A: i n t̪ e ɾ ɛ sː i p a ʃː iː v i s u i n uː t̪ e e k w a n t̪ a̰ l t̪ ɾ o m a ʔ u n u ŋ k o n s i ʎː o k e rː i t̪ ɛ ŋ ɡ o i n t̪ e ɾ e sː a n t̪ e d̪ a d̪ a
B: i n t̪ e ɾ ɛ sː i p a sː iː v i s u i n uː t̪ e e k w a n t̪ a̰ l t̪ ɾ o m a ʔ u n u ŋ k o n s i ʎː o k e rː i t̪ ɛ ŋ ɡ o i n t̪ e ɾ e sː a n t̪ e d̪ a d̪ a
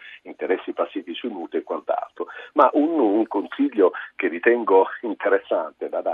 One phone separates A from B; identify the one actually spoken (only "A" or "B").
B